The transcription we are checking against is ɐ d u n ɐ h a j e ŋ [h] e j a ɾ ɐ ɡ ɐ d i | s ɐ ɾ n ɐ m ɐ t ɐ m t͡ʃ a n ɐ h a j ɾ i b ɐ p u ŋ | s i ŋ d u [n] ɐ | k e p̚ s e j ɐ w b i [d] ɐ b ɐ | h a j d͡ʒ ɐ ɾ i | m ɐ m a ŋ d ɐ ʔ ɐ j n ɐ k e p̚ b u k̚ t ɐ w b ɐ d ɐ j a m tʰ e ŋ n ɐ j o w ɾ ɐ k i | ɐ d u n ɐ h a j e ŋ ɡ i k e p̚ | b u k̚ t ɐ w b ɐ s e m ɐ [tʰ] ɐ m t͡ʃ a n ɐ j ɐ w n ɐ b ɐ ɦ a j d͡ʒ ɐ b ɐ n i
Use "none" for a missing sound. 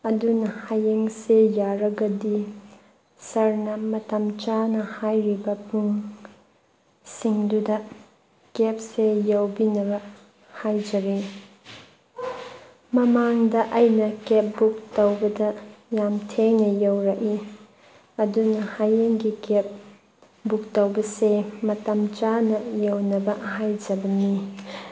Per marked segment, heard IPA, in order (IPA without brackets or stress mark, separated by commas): s, d, n, t